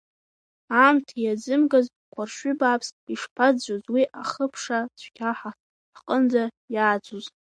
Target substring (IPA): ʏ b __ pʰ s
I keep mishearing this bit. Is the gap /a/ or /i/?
a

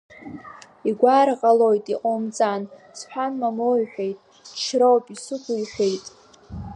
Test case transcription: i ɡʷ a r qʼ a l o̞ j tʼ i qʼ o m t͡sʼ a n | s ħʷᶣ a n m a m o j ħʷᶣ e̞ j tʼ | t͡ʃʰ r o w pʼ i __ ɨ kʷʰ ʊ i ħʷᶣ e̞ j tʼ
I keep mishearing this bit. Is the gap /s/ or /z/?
s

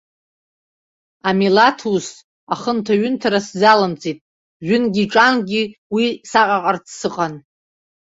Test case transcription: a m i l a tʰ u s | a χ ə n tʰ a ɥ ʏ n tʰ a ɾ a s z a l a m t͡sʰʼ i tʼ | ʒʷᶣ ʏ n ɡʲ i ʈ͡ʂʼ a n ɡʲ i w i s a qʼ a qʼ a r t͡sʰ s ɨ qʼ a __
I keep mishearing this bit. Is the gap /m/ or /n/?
n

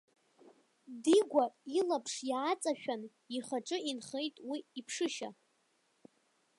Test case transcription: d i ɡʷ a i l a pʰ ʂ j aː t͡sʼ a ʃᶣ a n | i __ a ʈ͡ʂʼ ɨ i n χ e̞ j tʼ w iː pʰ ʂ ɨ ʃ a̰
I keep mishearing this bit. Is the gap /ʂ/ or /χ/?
χ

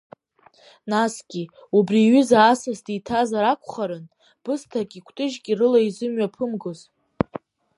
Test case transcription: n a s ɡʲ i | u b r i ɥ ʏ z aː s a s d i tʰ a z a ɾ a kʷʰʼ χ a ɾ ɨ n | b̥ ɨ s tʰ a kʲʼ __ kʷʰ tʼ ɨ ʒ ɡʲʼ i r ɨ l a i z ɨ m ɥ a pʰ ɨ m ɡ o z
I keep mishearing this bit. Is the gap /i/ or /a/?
i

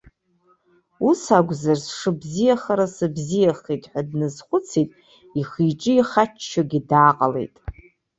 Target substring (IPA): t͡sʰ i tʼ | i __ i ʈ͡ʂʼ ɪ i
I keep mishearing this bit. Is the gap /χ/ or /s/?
χ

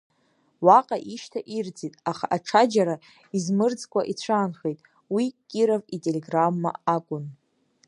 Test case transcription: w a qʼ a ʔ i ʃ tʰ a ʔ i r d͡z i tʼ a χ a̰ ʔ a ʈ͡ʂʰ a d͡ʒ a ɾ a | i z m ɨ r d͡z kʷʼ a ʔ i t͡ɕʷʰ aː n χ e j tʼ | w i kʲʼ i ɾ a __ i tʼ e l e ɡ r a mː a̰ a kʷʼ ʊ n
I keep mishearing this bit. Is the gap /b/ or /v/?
v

